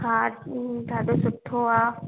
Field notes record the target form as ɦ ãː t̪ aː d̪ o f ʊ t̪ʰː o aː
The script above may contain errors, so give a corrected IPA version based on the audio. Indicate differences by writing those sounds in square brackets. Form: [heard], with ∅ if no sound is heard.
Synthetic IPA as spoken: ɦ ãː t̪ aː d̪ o [s] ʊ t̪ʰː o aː